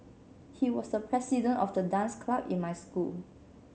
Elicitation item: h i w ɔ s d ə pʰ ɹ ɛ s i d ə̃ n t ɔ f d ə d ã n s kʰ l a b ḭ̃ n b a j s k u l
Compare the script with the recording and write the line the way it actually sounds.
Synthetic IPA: h i w ɔ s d ə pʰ ɹ ɛ s i d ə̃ n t ɔ f d ə d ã n s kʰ l a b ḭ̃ n m a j s k u l